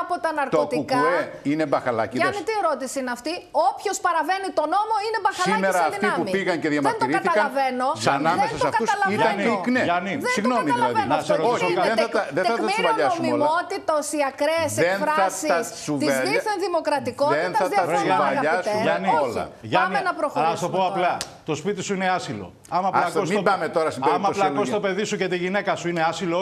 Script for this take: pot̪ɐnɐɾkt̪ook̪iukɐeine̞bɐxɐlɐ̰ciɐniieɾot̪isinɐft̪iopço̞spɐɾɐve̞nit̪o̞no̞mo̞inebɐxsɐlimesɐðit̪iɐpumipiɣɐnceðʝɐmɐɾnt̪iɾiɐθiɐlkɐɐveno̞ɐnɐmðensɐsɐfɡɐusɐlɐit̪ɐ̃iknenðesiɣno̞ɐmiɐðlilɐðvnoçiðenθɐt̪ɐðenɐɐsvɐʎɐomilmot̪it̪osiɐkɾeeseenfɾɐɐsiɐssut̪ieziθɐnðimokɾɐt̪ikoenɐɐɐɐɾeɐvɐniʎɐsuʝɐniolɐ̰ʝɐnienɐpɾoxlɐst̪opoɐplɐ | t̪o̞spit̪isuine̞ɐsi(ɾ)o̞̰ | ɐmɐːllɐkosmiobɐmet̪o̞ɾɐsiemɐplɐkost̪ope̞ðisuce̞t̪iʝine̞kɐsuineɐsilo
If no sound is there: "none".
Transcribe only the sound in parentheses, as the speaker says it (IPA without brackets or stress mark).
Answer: l